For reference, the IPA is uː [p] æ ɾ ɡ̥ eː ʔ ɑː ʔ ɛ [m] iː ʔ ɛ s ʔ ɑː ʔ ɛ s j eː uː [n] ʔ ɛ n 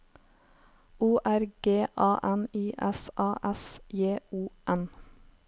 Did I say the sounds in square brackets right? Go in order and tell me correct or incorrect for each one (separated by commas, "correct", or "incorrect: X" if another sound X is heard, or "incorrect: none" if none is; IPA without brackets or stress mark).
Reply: incorrect: ʔ, incorrect: n, incorrect: none